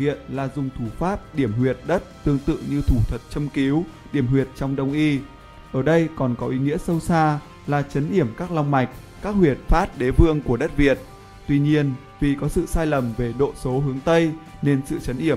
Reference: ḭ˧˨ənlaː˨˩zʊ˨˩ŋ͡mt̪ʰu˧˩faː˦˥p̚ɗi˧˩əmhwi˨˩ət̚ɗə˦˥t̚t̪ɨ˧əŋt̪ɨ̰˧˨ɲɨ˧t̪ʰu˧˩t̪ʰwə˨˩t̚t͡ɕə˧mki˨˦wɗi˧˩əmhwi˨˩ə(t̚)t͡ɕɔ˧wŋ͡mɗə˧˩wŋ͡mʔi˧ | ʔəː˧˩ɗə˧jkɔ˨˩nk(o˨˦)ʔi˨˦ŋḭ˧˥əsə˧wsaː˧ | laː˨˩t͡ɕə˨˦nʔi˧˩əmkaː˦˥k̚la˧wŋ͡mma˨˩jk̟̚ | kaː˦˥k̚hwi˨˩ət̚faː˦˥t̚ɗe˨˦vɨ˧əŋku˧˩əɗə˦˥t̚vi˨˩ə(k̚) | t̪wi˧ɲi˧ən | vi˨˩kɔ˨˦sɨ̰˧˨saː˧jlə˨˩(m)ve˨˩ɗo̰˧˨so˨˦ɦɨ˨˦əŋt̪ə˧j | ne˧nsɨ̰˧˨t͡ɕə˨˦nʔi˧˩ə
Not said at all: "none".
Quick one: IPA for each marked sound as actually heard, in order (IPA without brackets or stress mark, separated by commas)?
t̚, ɔ˨˦, t̚, m